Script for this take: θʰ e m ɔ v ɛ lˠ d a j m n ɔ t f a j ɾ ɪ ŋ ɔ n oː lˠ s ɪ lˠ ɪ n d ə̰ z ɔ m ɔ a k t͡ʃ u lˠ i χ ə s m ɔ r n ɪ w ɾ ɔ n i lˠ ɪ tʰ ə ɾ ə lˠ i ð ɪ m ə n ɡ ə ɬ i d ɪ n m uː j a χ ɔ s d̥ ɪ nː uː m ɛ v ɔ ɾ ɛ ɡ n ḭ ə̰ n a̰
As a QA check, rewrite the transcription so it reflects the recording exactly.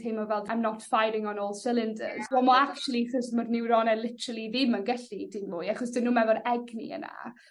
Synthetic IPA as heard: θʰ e m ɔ v ɛ lˠ d a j m n ɔ t f a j ɾ ɪ ŋ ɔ n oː lˠ s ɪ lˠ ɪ n d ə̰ z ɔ m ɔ a k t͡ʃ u lˠ i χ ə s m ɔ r n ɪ w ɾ ɔ n ɛ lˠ ɪ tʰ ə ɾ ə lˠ i ð ɪ m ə n ɡ ə ɬ i d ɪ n m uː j a χ ɔ s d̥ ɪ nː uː m ɛ v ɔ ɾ ɛ ɡ n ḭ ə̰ n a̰